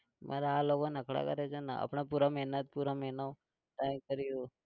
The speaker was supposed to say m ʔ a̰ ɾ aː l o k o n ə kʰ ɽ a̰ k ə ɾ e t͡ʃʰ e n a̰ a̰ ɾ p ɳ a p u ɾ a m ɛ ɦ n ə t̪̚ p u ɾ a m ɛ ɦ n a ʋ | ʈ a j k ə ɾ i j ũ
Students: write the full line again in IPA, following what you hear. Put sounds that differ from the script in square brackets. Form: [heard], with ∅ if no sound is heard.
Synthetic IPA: m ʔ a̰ ɾ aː l o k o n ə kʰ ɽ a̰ k ə ɾ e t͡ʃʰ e n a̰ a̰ [∅] p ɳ a p u ɾ a m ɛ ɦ n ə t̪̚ p u ɾ a m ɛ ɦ n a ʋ | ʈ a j k ə ɾ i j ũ

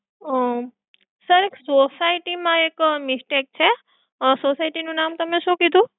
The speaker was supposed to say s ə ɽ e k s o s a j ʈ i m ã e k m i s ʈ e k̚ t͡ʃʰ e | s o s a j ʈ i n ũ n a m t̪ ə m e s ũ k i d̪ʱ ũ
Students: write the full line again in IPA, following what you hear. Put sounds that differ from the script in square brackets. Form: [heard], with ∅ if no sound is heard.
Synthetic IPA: s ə [ɾ] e k s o s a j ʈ i m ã e k m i s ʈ e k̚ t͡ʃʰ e | s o s a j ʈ i n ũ n a m t̪ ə m e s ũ k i d̪ʱ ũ

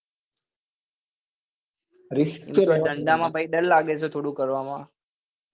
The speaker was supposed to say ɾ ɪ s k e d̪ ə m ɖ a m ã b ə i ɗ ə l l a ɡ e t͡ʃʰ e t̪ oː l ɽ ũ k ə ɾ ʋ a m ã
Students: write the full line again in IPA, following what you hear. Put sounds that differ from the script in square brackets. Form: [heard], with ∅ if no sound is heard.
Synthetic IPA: ɾ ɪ s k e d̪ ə [ɳ] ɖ a m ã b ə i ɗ ə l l a ɡ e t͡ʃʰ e [t̪ʰ] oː [∅] ɽ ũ k ə ɾ ʋ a m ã

